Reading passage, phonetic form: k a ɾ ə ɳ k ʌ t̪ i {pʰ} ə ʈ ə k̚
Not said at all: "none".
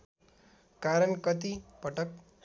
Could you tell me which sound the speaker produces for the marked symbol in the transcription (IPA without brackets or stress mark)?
p